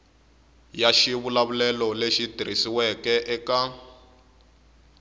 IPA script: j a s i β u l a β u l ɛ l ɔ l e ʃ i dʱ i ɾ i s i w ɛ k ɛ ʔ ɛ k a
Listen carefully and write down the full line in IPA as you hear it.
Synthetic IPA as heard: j a ʃ i β u l a β u l ɛ l ɔ l e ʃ i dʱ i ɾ i s i w ɛ k ɛ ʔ ɛ k a